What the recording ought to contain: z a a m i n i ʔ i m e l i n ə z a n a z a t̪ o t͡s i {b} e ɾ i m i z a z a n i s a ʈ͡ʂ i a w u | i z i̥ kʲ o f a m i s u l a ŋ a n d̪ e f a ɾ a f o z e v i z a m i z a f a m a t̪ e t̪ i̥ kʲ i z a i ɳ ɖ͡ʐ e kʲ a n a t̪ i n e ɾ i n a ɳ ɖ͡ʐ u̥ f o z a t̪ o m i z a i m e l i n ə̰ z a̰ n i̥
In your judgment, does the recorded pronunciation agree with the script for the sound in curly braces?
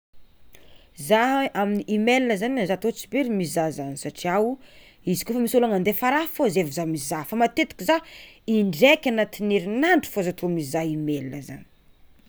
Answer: yes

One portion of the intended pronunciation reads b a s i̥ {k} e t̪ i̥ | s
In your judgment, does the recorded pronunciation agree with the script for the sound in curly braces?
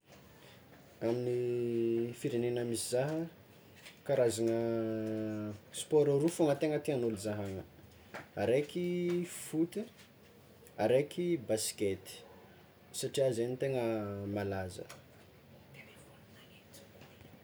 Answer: yes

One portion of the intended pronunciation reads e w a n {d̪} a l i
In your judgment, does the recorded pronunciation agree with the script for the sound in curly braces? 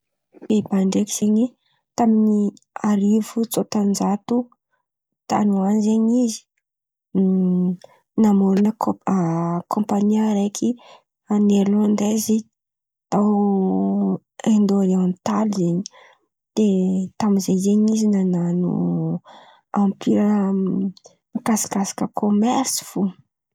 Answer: no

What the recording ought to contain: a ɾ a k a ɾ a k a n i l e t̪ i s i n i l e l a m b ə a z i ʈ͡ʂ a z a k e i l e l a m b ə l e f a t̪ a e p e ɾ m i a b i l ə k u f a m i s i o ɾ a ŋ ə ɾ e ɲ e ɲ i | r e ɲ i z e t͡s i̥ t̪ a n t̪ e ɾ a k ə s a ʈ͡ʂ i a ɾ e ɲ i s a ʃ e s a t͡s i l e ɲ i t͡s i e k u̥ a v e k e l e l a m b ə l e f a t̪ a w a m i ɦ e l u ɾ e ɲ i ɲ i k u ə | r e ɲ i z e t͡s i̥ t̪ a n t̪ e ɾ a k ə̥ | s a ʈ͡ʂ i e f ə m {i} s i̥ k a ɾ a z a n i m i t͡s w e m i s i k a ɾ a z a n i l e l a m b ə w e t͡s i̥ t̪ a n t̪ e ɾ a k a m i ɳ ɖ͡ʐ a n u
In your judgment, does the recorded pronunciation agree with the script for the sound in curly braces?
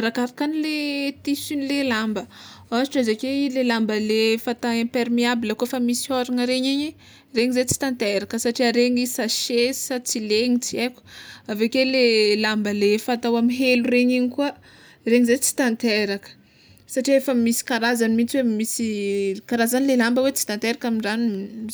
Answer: yes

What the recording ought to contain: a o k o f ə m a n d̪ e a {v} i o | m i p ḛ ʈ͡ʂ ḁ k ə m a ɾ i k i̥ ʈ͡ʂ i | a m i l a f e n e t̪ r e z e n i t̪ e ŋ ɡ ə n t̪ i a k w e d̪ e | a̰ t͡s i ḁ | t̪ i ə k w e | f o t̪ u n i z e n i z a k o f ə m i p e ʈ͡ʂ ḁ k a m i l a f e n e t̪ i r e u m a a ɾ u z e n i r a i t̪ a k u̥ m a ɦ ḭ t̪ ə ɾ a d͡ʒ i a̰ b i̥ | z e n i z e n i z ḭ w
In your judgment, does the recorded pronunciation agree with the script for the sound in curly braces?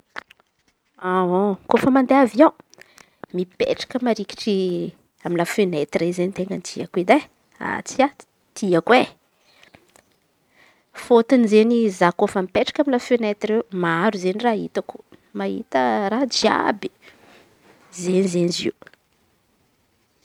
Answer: yes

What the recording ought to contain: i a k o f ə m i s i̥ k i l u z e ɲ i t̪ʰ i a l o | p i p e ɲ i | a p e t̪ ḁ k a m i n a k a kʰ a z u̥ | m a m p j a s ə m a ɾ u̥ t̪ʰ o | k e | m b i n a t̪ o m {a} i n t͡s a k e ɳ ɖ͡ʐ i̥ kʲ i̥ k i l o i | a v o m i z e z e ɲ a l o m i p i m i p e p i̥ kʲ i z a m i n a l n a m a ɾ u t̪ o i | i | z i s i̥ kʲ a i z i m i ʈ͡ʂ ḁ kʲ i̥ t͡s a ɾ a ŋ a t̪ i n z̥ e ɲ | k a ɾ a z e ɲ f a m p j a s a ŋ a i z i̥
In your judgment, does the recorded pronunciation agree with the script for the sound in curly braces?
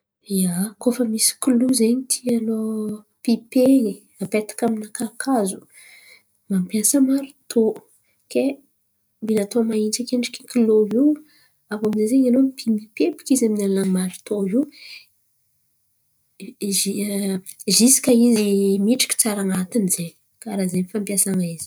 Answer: yes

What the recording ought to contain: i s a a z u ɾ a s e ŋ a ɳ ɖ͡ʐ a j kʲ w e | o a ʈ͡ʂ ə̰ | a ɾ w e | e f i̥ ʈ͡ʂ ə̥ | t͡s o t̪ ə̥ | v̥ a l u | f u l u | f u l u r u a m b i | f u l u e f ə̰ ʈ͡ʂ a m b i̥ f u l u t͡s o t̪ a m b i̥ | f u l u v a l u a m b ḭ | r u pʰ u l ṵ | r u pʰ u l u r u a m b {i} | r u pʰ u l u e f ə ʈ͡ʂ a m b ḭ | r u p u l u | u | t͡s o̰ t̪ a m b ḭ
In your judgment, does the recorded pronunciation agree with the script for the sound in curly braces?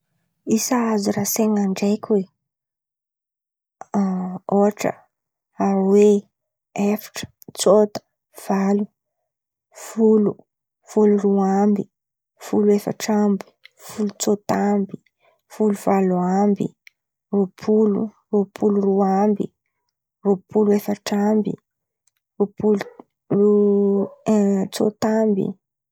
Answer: yes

